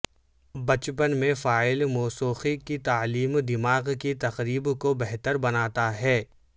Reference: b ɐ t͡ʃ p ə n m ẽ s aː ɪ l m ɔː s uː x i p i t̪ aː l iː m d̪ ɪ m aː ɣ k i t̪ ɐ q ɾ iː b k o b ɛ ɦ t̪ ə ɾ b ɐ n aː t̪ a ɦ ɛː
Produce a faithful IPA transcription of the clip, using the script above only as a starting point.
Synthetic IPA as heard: b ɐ t͡ʃ p ə n m ẽ f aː ɪ l m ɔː s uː x i k i t̪ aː l iː m d̪ ɪ m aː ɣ k i t̪ ɐ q ɾ iː b k o b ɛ ɦ t̪ ə ɾ b ɐ n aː t̪ a ɦ ɛː